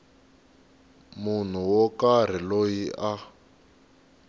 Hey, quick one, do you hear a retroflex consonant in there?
no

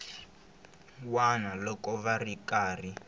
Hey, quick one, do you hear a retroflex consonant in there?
no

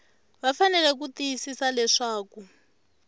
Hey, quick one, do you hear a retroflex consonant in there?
yes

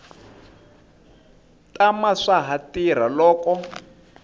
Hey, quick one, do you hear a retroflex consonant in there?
yes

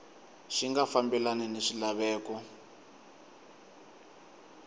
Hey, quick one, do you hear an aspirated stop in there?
no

